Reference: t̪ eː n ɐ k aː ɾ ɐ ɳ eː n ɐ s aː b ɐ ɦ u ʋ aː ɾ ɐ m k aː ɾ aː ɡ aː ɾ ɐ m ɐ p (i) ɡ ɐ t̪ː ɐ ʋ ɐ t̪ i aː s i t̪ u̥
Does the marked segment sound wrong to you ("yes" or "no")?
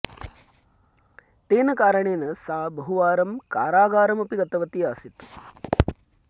no